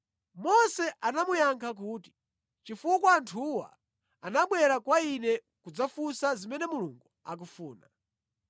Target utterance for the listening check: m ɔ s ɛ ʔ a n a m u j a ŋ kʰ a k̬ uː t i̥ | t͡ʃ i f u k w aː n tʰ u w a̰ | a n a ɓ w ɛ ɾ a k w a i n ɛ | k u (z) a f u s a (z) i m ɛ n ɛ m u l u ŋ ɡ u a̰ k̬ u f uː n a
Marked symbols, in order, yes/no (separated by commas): no, yes